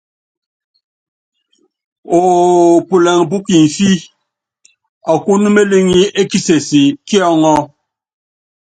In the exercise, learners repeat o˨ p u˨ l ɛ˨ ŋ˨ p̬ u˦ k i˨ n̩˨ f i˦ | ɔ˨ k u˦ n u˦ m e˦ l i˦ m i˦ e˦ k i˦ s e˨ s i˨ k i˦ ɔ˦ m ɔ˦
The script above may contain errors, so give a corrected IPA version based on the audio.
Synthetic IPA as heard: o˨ p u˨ l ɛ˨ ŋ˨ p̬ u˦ k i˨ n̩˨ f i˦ | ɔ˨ k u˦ n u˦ m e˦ l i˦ ŋ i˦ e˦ k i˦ s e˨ s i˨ k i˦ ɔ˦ ŋ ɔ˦